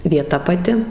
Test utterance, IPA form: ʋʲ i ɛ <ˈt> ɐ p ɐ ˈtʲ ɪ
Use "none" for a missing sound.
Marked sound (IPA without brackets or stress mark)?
t